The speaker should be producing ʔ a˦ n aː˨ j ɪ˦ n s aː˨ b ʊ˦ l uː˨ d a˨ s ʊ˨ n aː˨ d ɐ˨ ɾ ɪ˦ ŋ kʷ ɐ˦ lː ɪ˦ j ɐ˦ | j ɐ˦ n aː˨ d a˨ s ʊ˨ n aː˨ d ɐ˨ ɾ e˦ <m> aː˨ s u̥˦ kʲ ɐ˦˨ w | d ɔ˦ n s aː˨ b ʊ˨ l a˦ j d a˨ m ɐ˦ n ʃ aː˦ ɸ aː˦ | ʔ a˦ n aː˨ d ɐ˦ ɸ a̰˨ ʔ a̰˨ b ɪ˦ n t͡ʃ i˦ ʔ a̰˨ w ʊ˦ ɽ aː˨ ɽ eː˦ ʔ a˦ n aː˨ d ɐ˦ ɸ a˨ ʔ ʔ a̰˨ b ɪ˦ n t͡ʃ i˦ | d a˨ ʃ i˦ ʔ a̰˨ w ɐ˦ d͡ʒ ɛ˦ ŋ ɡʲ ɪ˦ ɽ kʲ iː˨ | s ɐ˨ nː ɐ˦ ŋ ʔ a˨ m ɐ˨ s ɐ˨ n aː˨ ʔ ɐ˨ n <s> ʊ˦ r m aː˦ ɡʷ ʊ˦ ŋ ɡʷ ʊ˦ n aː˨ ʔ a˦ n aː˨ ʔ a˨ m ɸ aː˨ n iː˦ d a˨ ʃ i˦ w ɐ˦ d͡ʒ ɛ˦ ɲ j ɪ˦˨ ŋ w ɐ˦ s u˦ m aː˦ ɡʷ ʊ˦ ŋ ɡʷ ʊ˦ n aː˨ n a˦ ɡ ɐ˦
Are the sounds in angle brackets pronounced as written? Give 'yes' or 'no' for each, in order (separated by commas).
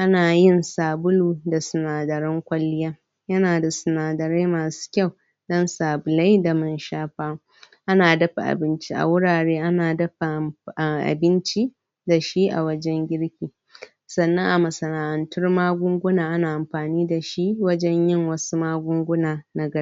yes, no